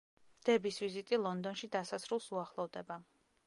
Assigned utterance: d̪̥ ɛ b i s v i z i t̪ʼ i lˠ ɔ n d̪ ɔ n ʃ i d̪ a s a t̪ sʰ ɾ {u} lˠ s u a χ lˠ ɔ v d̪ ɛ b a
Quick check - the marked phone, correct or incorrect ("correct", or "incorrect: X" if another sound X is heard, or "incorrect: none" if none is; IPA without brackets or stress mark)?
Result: correct